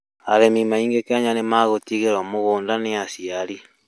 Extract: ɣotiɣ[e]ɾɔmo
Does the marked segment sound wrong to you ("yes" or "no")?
no